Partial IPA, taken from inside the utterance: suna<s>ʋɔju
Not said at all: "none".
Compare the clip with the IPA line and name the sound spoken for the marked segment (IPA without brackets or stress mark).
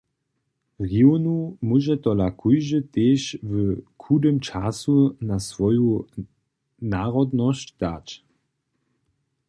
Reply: s